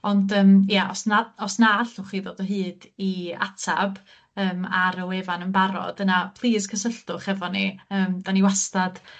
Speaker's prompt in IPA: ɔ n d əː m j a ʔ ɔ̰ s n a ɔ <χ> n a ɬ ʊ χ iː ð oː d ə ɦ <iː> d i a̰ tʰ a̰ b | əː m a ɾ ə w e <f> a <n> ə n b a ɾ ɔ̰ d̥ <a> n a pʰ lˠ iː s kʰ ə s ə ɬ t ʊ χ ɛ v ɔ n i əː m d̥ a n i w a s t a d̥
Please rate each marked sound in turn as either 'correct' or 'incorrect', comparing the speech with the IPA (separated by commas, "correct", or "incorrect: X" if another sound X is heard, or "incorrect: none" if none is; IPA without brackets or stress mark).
incorrect: s, incorrect: ɨː, incorrect: v, correct, incorrect: ə